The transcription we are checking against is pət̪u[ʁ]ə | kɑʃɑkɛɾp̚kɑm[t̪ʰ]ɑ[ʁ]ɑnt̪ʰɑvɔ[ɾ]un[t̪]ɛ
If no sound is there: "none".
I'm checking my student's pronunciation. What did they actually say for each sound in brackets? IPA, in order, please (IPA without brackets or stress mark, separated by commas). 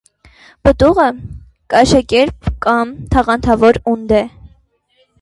ʁ, t̪ʰ, ʁ, ɾ, d̪